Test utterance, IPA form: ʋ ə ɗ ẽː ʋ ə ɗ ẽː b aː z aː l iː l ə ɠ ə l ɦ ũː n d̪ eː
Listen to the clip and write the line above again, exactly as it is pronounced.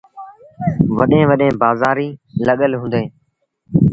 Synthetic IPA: ʋ ə ɗ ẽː ʋ ə ɗ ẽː b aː z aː ɾ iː l ə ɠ ə l ɦ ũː n d̪ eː